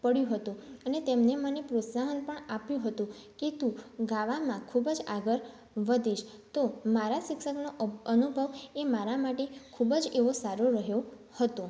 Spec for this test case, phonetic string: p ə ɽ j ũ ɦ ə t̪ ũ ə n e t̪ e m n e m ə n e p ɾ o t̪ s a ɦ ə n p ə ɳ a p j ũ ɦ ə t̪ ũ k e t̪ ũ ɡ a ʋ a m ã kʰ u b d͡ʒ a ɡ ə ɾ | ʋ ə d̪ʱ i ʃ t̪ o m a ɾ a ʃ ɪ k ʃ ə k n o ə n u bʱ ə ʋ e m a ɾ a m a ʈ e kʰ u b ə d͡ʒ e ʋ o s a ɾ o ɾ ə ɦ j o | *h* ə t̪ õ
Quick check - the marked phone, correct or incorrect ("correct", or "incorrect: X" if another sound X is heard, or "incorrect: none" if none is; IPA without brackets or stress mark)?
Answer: correct